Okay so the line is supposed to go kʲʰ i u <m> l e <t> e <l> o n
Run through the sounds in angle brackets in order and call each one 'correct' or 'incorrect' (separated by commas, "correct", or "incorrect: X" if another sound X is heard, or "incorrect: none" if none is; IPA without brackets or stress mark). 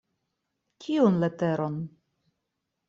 incorrect: n, correct, incorrect: ɾ